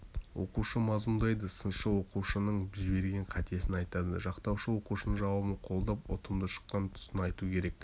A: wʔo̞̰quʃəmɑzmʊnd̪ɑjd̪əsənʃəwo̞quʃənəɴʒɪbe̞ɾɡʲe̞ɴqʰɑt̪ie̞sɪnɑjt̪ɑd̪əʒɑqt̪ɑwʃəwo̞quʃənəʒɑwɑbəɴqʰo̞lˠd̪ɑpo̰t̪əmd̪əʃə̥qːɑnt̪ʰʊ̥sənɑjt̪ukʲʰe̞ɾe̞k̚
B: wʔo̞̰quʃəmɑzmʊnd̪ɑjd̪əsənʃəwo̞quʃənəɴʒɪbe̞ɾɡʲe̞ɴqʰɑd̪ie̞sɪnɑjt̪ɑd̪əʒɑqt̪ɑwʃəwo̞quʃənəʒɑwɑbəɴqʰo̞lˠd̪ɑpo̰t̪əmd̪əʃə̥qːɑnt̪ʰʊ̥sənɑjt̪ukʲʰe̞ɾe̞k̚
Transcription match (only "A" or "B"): A